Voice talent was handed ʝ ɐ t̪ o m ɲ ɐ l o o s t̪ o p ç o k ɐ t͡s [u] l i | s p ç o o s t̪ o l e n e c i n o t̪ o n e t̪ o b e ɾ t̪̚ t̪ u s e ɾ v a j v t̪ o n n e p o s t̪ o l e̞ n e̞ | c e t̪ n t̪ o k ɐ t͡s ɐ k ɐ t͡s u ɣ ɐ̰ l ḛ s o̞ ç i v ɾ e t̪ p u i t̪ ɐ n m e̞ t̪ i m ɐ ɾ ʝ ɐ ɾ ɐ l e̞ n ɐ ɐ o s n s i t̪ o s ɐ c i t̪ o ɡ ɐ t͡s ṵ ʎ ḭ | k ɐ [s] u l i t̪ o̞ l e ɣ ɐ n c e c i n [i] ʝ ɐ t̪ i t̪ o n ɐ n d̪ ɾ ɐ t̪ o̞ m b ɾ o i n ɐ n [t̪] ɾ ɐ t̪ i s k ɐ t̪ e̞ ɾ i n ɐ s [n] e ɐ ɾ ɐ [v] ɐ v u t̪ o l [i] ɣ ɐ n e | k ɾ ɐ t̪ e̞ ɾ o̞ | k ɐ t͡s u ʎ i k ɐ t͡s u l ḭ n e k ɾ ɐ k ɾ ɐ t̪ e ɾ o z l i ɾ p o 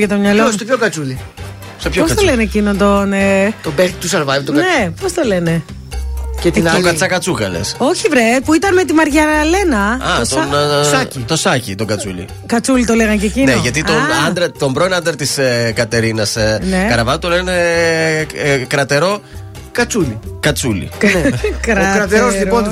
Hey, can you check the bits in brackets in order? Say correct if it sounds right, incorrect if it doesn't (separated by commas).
correct, incorrect, incorrect, incorrect, correct, correct, incorrect